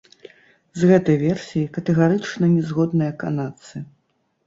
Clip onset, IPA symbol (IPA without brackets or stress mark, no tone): z